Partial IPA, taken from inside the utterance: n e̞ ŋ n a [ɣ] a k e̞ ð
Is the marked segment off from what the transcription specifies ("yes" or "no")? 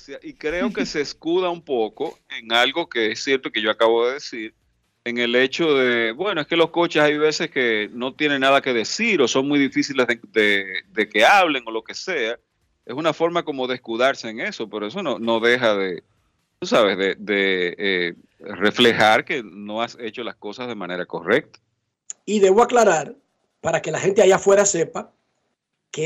yes